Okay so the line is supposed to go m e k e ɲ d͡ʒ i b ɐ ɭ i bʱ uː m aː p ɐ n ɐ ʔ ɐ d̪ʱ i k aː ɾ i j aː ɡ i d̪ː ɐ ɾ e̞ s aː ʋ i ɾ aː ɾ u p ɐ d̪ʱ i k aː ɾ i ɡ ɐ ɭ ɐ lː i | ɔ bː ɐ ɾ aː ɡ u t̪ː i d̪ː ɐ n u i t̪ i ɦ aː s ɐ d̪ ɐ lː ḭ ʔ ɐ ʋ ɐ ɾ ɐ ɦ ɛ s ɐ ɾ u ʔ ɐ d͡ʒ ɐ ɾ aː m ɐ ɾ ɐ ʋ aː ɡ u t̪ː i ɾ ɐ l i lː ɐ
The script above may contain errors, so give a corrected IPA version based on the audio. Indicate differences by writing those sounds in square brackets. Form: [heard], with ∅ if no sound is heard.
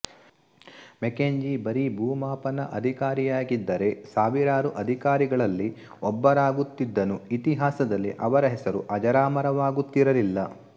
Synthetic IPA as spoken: m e k e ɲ d͡ʒ i b ɐ [ɾ] i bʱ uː m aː p ɐ n ɐ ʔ ɐ d̪ʱ i k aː ɾ i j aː ɡ i d̪ː ɐ ɾ e̞ s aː ʋ i ɾ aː ɾ u [ʔ] ɐ d̪ʱ i k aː ɾ i ɡ ɐ ɭ ɐ lː i | ɔ bː ɐ ɾ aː ɡ u t̪ː i d̪ː ɐ n u i t̪ i ɦ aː s ɐ d̪ ɐ lː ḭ ʔ ɐ ʋ ɐ ɾ ɐ ɦ ɛ s ɐ ɾ u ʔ ɐ d͡ʒ ɐ ɾ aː m ɐ ɾ ɐ ʋ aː ɡ u t̪ː i ɾ ɐ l i lː ɐ